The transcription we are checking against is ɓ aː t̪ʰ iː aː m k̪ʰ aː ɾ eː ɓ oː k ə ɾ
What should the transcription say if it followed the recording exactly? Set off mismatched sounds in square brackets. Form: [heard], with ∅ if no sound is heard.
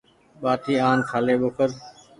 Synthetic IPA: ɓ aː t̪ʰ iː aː [n] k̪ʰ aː [l] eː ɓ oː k ə ɾ